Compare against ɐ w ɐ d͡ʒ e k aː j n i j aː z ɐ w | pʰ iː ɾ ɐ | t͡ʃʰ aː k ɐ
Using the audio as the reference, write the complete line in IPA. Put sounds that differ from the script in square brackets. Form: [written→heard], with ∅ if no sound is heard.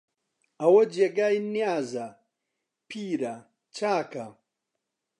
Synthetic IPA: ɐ w ɐ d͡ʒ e [k→ɡ] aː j n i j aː z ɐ [w→∅] | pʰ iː ɾ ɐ | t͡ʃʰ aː k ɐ

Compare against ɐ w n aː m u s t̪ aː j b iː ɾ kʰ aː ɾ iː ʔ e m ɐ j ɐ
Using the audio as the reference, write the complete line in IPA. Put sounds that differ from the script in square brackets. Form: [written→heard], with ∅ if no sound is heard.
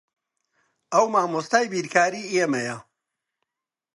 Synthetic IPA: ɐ w [n→m] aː m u s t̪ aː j b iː ɾ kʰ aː ɾ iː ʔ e m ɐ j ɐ

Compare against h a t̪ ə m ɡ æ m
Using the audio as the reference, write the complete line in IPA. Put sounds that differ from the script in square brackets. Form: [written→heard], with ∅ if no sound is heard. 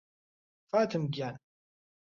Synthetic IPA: [h→f] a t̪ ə m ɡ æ [m→n]

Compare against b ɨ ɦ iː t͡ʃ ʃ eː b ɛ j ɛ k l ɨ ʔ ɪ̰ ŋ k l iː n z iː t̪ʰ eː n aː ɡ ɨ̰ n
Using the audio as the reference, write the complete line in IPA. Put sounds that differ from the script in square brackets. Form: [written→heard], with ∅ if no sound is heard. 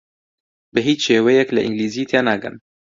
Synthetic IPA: b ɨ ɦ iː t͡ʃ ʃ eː [b→w] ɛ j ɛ k l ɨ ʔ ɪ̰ ŋ [k→ɡ] l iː [n→∅] z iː t̪ʰ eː n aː ɡ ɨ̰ n

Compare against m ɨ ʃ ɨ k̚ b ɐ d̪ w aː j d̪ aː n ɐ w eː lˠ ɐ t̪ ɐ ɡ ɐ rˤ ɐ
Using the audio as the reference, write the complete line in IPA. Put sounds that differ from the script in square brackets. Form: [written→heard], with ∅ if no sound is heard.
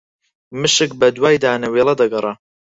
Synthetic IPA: m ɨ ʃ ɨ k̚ b ɐ d̪ w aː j d̪ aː n ɐ w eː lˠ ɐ [t̪→d̪] ɐ ɡ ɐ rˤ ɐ

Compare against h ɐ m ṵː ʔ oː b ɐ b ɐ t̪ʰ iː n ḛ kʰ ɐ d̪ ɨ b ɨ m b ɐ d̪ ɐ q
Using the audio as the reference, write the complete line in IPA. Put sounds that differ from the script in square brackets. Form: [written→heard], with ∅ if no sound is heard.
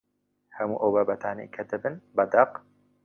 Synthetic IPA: h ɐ m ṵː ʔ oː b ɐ b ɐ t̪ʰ [iː→aː] n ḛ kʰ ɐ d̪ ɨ b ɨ [m→n] b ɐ d̪ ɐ q

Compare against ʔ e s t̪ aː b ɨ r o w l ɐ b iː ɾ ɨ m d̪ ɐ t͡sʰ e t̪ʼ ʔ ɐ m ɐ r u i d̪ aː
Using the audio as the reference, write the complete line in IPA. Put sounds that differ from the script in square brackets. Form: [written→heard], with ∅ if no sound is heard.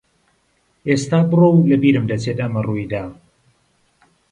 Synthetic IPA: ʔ e s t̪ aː b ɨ r o w l ɐ b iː ɾ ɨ m d̪ ɐ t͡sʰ e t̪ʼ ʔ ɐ m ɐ r u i d̪ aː

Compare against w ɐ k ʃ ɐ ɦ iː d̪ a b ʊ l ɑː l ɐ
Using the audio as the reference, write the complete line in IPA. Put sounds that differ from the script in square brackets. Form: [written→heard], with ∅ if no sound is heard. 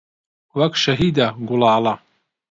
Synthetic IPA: w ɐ k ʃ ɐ ɦ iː d̪ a [b→ɡ] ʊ l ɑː l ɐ

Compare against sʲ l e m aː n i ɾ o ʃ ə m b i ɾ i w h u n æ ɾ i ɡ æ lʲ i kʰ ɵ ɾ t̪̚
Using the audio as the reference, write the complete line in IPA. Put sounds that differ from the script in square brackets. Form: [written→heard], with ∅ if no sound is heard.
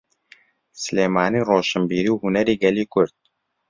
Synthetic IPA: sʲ l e m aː n i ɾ o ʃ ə m b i ɾ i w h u n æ ɾ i ɡ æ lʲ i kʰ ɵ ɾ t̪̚

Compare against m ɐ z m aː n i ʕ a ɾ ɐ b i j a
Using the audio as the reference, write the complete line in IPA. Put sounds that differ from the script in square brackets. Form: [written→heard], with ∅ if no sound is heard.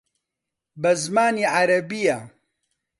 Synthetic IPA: [m→b] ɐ z m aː n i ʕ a ɾ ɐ b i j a

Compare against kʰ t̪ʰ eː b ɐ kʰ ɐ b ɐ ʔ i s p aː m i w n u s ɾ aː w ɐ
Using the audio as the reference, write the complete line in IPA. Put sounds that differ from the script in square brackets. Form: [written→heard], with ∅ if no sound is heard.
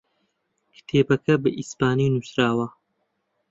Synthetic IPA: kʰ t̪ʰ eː b ɐ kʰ ɐ b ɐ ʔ i s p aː [m→n] i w n u s ɾ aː w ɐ

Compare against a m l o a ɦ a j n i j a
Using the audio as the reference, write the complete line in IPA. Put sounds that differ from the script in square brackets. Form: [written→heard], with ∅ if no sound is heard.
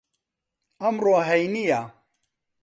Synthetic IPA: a m [l→ɾ] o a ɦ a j n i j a

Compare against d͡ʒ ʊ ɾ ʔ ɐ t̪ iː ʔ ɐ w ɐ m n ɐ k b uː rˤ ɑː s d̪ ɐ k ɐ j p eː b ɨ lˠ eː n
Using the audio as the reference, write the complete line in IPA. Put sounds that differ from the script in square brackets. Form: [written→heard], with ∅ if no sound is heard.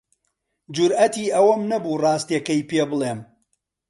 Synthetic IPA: d͡ʒ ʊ ɾ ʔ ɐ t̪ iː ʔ ɐ w ɐ m n ɐ [k→∅] b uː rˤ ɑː s [d̪→t̪] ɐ k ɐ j p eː b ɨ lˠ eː [n→m]

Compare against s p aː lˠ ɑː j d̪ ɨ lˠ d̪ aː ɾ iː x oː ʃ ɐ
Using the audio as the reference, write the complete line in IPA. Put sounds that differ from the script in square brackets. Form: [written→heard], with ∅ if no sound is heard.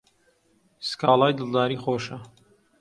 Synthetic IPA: s [p→k] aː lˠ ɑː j d̪ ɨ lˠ d̪ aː ɾ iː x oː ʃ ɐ

